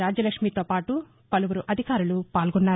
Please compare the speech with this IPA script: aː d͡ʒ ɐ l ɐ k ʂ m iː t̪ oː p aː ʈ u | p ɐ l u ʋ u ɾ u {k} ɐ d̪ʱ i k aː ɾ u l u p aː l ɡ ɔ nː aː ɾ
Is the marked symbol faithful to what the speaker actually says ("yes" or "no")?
no